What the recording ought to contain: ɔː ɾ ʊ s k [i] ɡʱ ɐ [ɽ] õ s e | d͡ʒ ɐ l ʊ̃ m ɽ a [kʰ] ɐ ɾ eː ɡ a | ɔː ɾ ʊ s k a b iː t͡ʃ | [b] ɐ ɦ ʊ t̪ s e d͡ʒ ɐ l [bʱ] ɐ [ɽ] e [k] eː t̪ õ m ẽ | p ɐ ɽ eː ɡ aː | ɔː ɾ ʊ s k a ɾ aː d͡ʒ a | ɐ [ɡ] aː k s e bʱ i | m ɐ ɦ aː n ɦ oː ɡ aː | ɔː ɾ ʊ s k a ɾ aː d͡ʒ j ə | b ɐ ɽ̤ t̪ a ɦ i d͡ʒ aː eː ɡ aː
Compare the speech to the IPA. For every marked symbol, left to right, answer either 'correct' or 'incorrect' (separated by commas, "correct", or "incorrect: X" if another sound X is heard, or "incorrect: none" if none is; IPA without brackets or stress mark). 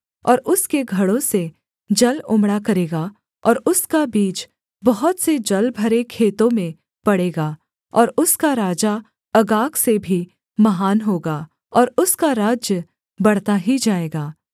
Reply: incorrect: e, correct, incorrect: k, correct, correct, incorrect: ɾ, incorrect: kʰ, correct